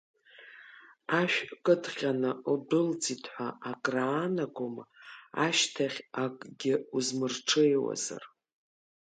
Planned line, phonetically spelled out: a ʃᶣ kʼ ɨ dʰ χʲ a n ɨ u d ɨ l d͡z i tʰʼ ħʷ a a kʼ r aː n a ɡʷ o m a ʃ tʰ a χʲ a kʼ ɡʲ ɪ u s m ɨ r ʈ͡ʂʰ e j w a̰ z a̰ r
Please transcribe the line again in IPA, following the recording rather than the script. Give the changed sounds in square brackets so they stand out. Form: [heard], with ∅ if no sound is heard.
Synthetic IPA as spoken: a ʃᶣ kʼ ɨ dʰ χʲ a n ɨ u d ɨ l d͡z i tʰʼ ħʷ a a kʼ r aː n a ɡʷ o m a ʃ tʰ a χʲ a kʼ ɡʲ ɪ u [z] m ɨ r ʈ͡ʂʰ e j w a̰ z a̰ r